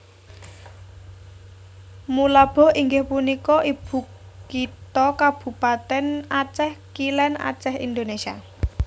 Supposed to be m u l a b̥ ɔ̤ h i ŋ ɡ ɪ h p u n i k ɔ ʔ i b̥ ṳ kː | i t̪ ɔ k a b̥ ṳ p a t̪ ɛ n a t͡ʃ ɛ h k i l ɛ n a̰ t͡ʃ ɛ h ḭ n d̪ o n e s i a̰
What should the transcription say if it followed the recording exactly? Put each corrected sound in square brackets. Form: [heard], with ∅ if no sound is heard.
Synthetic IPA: m u l a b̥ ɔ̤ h i ŋ ɡ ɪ h p u n i k ɔ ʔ i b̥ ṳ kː | i t̪ ɔ k a b̥ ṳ p a t̪ ɛ n a t͡ʃ ɛ h k i l ɛ n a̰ t͡ʃ ɛ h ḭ n d̪ o n e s i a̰